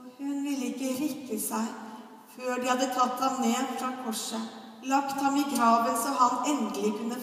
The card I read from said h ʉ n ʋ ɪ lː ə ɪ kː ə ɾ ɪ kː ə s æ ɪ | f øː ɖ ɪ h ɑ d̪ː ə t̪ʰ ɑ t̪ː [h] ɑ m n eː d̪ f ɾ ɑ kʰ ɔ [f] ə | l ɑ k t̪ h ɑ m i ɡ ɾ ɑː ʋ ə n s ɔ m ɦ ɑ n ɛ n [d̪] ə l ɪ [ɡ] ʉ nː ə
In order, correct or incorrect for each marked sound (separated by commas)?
correct, incorrect, correct, incorrect